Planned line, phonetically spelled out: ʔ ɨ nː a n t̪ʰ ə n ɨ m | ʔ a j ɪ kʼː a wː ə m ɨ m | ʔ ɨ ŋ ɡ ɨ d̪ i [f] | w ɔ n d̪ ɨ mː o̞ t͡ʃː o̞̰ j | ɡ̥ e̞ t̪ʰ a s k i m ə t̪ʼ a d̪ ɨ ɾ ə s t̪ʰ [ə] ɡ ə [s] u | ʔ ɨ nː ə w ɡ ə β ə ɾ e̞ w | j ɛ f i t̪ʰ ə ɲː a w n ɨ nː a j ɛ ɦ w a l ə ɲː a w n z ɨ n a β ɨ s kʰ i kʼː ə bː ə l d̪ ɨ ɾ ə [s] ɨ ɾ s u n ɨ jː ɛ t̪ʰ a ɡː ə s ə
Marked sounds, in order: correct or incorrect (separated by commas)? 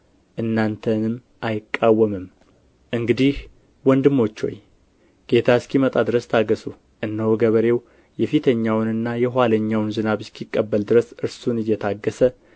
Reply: incorrect, incorrect, correct, correct